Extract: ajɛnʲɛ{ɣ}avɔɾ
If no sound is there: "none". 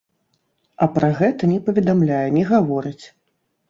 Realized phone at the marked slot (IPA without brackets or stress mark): ɣ